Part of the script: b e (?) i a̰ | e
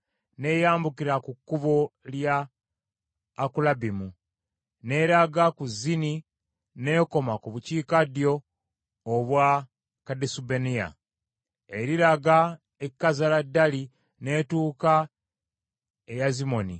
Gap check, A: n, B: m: A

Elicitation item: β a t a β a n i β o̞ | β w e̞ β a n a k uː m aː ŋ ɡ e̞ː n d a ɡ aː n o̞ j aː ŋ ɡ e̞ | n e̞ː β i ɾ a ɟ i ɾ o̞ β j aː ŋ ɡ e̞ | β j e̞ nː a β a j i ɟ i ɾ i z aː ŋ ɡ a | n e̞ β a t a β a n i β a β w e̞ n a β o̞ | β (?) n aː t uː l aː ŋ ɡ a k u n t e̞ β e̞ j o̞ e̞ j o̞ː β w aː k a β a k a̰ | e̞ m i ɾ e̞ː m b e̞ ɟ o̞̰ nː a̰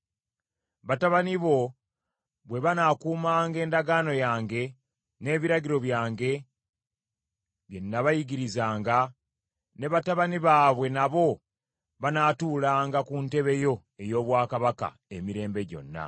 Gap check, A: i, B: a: B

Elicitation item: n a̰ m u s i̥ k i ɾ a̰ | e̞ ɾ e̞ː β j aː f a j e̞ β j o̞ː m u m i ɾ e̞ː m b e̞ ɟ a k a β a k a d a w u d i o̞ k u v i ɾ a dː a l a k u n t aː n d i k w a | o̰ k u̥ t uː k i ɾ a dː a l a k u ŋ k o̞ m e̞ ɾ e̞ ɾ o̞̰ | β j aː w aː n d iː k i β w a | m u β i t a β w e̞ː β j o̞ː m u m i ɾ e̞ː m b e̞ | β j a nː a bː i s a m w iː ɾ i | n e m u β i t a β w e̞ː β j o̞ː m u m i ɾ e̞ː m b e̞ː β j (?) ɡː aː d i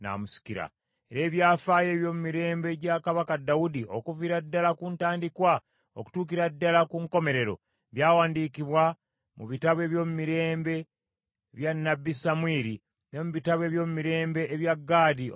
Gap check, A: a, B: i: A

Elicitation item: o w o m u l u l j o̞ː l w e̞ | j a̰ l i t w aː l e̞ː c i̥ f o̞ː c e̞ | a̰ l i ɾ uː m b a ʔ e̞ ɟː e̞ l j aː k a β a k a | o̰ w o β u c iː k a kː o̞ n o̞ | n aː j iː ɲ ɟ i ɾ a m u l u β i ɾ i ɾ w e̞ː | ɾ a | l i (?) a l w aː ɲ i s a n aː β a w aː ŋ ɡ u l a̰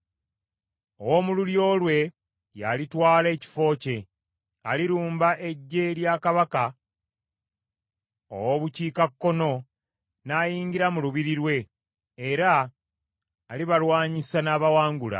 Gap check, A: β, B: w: A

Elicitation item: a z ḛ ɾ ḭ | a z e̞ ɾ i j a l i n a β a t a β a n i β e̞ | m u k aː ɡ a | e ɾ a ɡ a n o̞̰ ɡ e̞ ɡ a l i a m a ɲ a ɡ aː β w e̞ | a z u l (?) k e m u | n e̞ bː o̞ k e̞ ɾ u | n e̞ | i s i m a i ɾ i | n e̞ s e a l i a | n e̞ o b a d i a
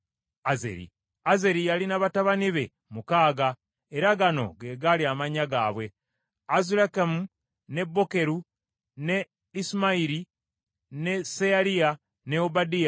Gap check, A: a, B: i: A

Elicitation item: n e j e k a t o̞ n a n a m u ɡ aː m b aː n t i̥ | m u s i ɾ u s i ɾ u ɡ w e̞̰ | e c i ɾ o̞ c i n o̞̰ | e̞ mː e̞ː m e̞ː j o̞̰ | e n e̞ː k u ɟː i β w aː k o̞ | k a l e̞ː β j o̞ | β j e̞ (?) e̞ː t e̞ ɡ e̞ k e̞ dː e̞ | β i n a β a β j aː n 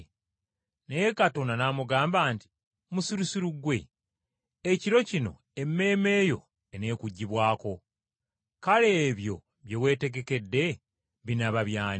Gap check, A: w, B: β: A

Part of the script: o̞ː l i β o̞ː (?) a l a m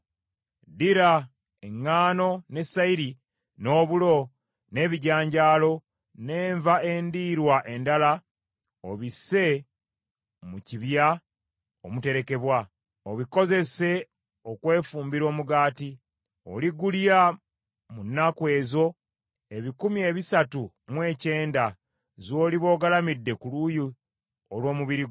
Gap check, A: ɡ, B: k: A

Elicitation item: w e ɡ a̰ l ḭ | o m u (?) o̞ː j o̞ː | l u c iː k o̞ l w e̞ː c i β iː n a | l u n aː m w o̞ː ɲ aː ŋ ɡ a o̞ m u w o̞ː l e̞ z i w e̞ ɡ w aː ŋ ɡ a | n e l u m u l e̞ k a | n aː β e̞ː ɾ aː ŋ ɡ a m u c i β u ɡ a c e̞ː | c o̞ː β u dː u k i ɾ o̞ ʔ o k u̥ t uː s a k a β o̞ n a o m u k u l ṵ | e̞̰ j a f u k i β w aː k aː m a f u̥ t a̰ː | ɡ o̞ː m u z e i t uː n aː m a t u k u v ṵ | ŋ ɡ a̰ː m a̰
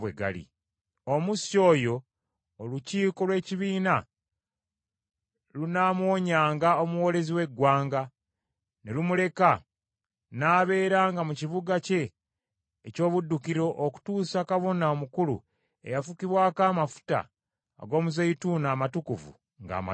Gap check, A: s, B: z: A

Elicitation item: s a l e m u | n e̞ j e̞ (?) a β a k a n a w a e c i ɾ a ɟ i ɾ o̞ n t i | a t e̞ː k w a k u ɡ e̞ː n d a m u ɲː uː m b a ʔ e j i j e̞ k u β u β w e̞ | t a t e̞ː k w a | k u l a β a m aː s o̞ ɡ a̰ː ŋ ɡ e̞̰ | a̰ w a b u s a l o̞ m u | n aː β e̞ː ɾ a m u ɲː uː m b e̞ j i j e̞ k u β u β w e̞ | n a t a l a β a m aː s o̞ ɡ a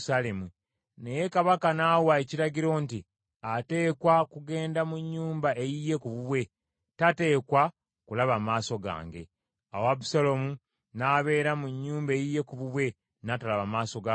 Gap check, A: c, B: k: B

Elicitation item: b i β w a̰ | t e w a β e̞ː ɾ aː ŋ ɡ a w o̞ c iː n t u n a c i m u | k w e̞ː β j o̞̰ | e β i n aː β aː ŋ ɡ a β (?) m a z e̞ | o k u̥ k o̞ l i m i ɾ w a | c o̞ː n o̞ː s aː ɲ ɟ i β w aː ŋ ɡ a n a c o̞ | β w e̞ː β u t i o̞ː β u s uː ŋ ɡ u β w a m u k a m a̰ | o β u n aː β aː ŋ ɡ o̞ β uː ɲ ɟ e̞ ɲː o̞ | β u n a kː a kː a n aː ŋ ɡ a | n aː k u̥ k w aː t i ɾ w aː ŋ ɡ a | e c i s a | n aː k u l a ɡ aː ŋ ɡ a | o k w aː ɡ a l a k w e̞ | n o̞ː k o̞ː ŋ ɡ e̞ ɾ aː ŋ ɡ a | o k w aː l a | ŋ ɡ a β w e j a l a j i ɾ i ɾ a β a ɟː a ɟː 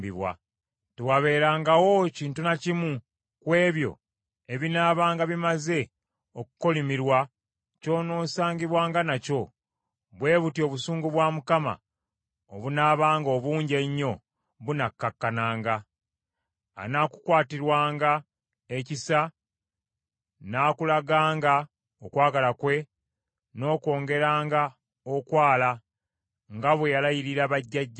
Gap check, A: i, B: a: A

